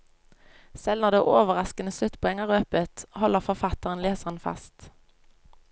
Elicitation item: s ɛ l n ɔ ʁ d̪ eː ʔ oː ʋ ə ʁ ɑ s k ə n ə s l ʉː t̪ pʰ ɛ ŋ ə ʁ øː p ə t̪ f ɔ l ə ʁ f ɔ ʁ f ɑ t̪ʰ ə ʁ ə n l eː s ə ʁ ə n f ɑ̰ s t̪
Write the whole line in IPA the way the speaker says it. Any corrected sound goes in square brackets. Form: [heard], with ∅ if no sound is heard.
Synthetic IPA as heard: s ɛ l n ɔ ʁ d̪ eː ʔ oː ʋ ə ʁ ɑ s k ə n ə s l [ʉ] t̪ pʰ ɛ ŋ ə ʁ øː p ə t̪ [h] ɔ l ə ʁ f ɔ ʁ f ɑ [t̪] ə ʁ ə n l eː s ə ʁ ə n f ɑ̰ s t̪